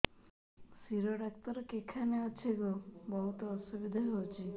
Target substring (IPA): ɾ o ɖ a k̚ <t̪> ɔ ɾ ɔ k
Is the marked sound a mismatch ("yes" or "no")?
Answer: no